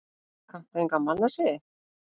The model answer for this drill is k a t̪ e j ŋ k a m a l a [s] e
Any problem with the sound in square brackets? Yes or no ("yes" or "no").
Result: no